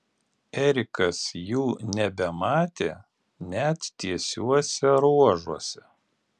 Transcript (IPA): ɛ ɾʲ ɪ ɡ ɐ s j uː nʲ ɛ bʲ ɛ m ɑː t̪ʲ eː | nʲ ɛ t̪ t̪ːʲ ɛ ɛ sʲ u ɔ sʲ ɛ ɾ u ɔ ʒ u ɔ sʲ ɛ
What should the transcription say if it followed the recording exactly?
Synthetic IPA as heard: ɛ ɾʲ ɪ k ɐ s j uː nʲ ɛ bʲ ɛ m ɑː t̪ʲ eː | nʲ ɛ t̪ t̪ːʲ i ɛ sʲ u ɔ sʲ ɛ ɾ u ɔ ʒ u ɔ sʲ ɛ